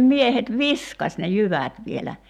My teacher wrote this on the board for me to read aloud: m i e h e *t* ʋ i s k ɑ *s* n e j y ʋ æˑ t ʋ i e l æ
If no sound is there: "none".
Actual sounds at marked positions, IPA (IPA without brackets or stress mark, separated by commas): t, s